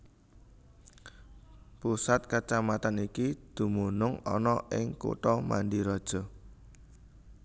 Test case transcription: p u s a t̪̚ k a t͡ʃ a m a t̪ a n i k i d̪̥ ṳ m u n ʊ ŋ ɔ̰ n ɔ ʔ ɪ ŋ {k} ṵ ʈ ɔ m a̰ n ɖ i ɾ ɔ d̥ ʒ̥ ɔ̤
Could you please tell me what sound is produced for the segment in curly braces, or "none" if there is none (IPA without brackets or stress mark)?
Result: k